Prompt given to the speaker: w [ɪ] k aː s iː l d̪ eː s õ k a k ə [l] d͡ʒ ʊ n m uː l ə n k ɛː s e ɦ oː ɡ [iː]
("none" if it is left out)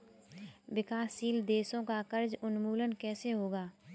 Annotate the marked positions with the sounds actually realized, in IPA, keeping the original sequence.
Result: ɪ, ɾ, aː

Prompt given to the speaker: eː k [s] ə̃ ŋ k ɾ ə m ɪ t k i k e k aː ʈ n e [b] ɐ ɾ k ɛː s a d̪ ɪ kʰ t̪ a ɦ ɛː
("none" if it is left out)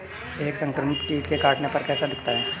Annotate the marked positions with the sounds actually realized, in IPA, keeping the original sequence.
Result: s, p

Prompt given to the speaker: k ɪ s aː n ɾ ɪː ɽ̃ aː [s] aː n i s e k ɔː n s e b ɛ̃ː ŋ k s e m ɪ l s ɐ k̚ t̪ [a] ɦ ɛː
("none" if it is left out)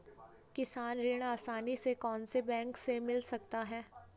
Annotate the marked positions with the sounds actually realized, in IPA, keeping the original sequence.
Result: s, a

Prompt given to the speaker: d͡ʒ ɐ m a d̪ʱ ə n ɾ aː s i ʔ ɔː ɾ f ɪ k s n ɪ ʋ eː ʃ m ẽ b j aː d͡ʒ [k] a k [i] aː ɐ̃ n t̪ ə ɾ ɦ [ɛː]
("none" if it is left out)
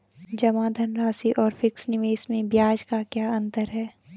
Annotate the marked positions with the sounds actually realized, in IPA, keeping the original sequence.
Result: k, j, ɛː

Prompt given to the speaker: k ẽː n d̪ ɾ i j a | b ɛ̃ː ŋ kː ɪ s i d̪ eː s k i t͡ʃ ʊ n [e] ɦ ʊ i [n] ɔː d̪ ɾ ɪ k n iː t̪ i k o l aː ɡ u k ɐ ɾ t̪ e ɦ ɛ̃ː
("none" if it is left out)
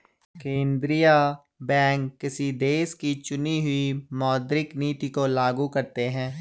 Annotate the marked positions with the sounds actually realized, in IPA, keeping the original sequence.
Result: i, m

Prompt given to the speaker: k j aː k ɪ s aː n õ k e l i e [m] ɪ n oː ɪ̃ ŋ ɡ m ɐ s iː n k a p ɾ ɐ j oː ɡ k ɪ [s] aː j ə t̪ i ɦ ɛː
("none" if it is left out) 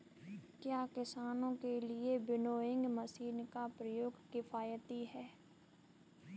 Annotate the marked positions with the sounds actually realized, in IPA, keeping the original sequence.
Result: b, f

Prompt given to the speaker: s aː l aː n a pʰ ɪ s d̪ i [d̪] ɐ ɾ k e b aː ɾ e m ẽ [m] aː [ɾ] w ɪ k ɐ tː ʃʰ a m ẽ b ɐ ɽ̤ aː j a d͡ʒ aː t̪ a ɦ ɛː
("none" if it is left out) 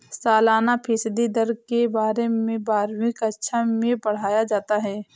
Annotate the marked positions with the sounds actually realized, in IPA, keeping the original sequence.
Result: d̪, b, ɾ

